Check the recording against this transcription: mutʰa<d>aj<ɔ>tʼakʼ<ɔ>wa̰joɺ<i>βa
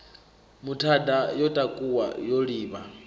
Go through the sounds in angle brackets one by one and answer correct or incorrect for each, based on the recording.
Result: correct, correct, incorrect: u, incorrect: iː

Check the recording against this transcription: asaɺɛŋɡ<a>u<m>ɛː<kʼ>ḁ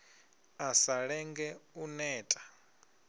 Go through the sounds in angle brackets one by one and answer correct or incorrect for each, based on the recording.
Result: incorrect: ɛ, incorrect: n, incorrect: tʼ

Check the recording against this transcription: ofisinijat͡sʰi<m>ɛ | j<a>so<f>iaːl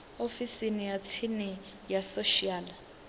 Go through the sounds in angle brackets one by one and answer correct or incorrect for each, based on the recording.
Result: incorrect: n, correct, incorrect: ʃ

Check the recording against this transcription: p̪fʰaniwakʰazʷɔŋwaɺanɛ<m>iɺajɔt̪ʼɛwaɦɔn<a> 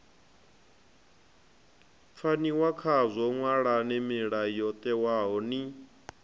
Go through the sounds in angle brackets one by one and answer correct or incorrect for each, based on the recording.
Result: correct, incorrect: i

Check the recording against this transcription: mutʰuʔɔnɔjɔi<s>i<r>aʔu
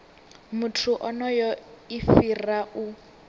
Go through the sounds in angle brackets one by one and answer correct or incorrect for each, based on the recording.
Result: incorrect: f, correct

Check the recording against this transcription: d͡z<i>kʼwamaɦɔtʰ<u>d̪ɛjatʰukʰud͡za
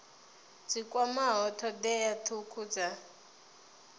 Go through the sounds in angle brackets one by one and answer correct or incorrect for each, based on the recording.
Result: correct, incorrect: ɔ

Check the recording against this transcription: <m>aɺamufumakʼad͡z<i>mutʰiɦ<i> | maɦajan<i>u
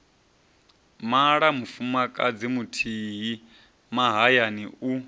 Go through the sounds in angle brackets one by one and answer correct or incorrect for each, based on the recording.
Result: correct, correct, correct, correct

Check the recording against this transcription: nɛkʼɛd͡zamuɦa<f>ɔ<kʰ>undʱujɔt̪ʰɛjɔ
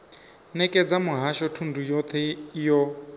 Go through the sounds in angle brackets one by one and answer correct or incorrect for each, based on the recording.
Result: incorrect: ʃ, incorrect: tʰ

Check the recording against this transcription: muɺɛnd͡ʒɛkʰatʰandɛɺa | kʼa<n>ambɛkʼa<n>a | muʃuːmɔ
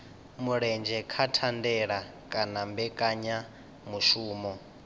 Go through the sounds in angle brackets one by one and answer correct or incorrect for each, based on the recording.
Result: correct, incorrect: ɲ

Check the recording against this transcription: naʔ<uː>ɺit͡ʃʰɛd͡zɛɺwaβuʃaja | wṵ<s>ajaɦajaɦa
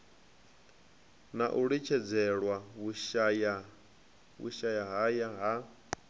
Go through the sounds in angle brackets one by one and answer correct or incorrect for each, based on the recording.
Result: incorrect: u, incorrect: ʃ

